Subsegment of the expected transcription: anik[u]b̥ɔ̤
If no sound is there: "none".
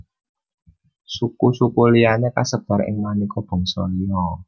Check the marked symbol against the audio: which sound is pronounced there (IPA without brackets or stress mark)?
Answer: ɔ